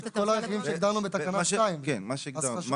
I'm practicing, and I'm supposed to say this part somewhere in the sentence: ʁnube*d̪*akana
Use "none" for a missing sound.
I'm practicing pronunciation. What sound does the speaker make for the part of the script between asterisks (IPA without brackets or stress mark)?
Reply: t̪